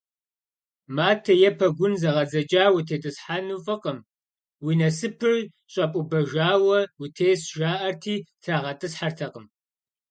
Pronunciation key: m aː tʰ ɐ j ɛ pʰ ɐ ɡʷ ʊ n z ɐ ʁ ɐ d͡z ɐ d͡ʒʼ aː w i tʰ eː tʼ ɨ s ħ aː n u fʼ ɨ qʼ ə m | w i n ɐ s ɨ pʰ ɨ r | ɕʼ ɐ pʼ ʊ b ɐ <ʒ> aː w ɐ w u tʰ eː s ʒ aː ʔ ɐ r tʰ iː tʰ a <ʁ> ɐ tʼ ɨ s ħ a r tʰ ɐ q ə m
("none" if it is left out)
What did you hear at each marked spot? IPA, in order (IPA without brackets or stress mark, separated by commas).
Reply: ʒ, ʁ